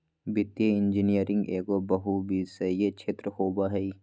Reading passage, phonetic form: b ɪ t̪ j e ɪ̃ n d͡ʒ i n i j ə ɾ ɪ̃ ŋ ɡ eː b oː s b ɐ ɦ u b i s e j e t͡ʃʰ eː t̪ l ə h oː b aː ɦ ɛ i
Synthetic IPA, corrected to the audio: b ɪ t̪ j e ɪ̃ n d͡ʒ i n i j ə ɾ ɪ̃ ŋ ɡ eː ɡ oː b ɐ ɦ u b i s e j e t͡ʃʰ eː t̪ ɾ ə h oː b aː ɦ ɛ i